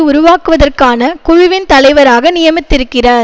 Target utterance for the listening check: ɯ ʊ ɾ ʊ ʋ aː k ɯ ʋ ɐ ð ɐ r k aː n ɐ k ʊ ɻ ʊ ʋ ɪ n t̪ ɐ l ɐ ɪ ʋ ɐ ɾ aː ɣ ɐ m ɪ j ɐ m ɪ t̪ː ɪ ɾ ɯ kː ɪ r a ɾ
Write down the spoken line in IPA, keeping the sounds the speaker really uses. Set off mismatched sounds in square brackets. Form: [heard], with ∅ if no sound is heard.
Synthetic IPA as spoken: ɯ ʊ ɾ ʊ ʋ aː k ɯ ʋ ɐ ð ɐ r k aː n ɐ k ʊ ɻ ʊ ʋ ɪ n t̪ ɐ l ɐ ɪ ʋ ɐ ɾ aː ɣ ɐ [n] ɪ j ɐ m ɪ t̪ː ɪ ɾ ɯ kː ɪ r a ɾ